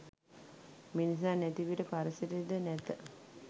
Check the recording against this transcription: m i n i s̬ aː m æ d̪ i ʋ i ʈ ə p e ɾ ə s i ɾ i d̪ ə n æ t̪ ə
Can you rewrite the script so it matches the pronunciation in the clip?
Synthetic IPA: m i n i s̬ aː n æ t̪ i ʋ i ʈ ə p a ɾ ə s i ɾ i d̪ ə n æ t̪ ə